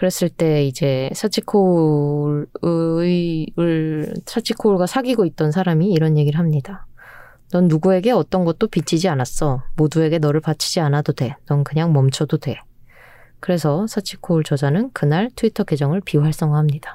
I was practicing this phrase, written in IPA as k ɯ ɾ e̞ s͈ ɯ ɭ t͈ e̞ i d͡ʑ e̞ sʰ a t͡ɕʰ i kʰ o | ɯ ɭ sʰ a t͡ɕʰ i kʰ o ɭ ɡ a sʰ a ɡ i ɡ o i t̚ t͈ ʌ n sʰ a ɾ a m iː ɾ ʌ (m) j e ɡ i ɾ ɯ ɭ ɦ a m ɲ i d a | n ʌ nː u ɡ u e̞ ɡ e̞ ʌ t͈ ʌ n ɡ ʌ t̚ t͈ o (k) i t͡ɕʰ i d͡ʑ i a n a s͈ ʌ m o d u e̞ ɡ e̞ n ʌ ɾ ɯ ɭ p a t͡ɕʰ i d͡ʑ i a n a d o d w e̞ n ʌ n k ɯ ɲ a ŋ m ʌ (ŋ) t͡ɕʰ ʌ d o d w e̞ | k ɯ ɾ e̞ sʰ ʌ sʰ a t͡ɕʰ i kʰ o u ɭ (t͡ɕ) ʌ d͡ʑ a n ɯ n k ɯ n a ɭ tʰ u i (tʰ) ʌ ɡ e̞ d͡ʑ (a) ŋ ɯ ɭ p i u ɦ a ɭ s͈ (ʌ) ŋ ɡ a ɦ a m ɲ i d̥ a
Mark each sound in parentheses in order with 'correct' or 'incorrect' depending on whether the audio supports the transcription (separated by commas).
incorrect, incorrect, incorrect, correct, correct, incorrect, correct